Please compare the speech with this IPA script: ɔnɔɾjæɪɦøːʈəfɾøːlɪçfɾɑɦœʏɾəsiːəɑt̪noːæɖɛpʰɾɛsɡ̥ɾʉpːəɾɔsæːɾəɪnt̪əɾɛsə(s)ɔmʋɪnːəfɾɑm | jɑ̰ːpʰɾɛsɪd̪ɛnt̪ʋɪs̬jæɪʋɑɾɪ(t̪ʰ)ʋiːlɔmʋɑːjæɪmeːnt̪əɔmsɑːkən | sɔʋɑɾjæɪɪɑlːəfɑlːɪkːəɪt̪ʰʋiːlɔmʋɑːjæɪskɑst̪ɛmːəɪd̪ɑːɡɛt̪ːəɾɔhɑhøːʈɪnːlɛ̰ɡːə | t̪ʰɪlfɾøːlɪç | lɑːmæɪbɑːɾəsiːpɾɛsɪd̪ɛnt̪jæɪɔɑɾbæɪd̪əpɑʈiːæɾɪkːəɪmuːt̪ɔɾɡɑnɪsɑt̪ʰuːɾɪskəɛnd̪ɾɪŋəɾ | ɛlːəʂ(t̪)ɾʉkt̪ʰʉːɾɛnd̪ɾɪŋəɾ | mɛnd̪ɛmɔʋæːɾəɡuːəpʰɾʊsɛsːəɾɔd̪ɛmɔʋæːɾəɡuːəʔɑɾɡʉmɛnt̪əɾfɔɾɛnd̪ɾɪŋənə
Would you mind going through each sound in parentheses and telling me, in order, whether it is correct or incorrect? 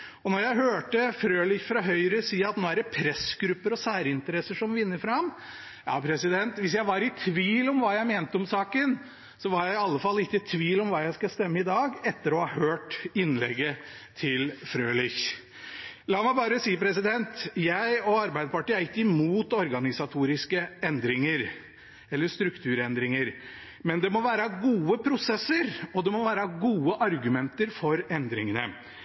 incorrect, correct, correct

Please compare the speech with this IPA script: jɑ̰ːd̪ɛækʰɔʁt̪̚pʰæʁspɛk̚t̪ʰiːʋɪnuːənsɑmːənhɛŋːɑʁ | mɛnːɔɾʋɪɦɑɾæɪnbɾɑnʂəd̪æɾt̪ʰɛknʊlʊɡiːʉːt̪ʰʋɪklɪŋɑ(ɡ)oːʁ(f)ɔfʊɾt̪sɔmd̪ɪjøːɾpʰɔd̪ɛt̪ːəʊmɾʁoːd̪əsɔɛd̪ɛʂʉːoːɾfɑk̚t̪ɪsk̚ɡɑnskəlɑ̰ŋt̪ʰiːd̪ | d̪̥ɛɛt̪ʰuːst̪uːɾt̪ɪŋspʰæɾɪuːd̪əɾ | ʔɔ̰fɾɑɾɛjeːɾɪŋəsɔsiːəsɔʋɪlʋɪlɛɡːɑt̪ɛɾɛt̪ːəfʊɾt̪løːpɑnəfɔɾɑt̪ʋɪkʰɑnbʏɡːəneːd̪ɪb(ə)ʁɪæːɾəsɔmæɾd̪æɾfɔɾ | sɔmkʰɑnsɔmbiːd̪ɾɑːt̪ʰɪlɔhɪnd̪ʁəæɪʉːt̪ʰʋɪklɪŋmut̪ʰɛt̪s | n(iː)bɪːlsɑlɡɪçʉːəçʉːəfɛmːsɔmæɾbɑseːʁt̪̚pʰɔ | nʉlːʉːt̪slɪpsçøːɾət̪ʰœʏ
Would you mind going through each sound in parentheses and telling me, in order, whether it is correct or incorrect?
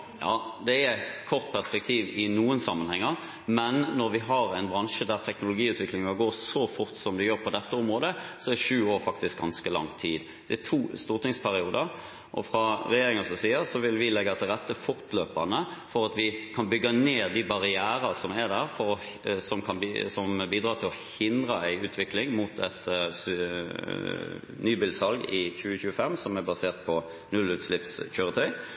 correct, incorrect, incorrect, incorrect

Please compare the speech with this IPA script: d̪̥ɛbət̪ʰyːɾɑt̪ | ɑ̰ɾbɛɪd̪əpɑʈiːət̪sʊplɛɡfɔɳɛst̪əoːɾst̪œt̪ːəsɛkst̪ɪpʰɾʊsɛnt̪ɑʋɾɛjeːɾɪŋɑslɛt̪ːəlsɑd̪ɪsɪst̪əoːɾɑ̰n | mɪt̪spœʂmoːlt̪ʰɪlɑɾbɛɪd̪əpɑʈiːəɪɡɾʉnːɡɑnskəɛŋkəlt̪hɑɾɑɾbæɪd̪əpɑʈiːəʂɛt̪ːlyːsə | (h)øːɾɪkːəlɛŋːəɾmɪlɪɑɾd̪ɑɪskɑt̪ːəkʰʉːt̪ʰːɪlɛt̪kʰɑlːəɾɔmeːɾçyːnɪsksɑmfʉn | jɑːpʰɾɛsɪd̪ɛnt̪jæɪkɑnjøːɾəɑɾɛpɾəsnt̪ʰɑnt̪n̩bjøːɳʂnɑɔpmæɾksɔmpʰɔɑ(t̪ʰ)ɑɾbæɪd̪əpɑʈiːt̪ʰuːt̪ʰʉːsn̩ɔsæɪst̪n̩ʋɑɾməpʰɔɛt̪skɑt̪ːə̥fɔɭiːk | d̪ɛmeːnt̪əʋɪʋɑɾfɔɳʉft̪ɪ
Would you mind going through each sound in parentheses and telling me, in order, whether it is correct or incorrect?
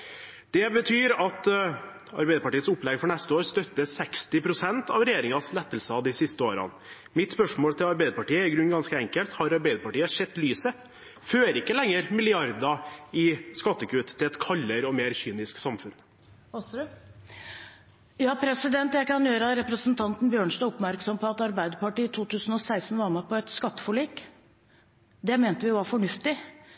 incorrect, incorrect

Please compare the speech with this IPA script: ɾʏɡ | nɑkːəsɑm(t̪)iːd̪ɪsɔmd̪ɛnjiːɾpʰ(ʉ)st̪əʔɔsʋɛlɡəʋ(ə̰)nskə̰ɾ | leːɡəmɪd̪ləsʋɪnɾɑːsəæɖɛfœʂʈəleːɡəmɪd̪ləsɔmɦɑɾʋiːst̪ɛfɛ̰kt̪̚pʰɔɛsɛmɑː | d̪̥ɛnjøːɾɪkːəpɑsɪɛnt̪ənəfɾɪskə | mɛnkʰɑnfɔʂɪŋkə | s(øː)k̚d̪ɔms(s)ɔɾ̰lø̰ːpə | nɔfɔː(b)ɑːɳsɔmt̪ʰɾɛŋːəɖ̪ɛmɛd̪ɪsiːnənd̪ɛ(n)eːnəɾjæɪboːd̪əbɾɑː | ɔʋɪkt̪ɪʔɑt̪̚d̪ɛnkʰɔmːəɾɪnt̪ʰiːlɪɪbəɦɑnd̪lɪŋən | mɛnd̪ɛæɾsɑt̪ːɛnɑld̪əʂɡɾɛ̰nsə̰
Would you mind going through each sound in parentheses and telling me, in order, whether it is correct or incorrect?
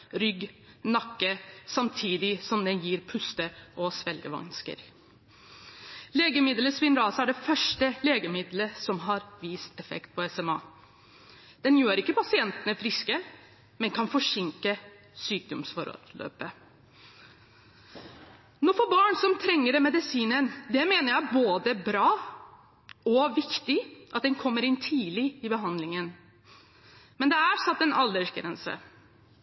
incorrect, correct, incorrect, incorrect, incorrect, correct, incorrect

